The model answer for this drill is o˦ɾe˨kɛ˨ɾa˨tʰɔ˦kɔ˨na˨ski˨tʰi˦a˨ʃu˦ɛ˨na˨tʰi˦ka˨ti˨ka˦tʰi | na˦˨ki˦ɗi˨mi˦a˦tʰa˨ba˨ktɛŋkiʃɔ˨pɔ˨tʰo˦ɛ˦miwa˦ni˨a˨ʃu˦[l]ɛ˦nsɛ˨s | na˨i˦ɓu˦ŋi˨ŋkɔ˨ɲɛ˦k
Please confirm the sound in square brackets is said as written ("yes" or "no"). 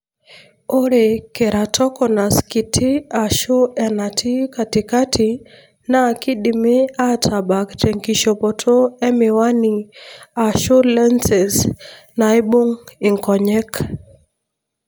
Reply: yes